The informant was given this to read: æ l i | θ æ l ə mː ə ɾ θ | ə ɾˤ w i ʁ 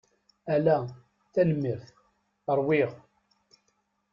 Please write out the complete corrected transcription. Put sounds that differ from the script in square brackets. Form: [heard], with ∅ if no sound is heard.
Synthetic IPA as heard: æ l [æ] | θ æ l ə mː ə ɾ θ | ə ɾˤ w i ʁ